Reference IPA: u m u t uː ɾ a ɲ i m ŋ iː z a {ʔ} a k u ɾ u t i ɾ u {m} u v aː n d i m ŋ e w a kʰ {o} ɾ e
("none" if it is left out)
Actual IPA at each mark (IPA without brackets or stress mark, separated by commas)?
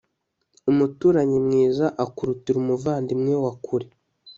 ʔ, m, u